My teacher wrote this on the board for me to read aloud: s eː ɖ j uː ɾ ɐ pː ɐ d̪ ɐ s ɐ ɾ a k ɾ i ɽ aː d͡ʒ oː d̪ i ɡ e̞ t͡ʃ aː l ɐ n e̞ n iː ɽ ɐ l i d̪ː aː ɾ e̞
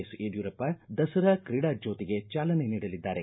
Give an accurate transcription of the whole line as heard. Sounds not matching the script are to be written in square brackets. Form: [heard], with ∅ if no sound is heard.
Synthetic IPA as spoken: s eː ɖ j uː ɾ ɐ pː ɐ d̪ ɐ s ɐ ɾ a k ɾ i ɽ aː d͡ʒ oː [t̪] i ɡ e̞ t͡ʃ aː l ɐ n e̞ n iː ɽ ɐ l i d̪ː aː ɾ e̞